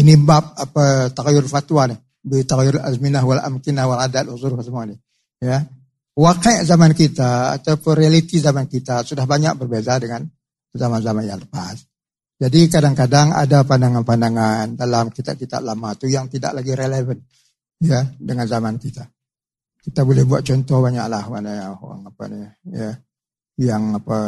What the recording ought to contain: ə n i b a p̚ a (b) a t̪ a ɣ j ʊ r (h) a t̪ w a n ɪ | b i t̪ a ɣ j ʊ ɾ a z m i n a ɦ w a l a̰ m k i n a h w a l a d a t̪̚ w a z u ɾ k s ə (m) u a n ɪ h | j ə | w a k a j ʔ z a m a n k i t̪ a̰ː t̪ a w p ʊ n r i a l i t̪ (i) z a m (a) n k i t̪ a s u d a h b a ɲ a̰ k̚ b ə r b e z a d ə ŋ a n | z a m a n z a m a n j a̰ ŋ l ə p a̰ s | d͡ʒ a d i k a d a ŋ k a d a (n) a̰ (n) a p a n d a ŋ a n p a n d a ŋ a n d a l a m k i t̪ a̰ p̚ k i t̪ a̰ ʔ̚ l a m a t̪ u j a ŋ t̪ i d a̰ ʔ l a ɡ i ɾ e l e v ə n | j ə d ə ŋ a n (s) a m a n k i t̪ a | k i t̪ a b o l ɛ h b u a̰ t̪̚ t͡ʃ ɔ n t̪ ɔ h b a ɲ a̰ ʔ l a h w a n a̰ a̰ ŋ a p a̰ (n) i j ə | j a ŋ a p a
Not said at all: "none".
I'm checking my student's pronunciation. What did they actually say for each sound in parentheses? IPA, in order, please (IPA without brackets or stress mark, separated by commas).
p, f, m, i, a, ŋ, d, z, n